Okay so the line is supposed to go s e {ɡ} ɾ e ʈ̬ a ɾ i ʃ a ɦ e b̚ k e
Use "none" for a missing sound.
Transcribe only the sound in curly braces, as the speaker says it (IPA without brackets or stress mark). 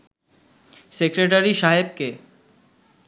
k